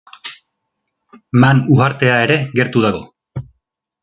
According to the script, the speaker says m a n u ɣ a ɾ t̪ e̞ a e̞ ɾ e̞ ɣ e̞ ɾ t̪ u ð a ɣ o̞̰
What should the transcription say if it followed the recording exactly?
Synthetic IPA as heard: m a n u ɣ a ɾ t̪ e̞ a e̞ ɾ e̞ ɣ e̞ ɾ t̪ u ð a ɣ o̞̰